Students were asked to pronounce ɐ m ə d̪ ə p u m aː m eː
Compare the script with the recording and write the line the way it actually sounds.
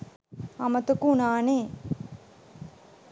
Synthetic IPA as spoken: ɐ m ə t̪ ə k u n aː n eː